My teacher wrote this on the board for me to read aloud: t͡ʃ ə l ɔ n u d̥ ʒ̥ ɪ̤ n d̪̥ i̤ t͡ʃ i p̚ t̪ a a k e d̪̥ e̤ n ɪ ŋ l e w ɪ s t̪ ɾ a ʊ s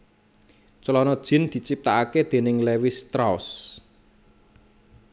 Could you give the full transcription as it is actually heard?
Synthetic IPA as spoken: t͡ʃ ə l ɔ n ɔ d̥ ʒ̥ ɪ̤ n d̪̥ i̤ t͡ʃ i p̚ t̪ a a k e d̪̥ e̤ n ɪ ŋ l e w ɪ s t̪ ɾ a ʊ s